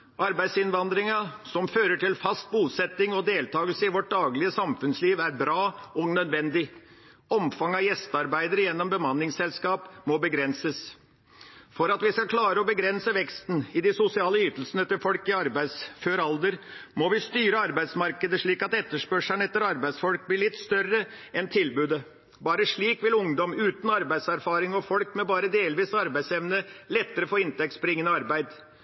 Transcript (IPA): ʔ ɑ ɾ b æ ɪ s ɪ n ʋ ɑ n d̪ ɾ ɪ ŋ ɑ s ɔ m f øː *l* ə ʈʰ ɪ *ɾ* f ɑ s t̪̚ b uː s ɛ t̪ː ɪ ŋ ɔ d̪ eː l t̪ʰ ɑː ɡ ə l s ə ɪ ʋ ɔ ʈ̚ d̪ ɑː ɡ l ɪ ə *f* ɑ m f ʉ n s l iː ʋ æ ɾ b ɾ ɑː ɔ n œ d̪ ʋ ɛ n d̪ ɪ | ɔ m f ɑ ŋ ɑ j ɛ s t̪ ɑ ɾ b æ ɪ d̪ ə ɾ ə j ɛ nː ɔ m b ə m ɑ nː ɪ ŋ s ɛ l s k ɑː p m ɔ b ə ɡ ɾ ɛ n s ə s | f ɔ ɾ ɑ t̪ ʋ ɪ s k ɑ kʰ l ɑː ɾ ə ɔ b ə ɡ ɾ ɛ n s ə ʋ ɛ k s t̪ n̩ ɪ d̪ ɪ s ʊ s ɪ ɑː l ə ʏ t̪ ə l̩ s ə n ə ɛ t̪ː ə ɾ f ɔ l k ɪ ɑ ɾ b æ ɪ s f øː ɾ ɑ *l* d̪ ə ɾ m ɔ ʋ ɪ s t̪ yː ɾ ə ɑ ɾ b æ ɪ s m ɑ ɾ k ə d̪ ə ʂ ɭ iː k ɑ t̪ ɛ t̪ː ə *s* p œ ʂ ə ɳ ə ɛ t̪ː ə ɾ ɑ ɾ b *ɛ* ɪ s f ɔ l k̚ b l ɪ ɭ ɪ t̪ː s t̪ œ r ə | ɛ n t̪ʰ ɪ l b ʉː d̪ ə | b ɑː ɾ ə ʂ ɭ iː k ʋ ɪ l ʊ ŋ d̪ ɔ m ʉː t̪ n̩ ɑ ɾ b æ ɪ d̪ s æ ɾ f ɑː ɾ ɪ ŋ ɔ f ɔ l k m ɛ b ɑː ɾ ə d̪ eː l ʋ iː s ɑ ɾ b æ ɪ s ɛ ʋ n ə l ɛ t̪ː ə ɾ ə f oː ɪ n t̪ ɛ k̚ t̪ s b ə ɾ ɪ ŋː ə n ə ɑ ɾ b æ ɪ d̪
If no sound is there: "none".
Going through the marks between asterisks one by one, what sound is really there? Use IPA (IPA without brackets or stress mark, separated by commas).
ɾ, l, s, l, ʂ, æ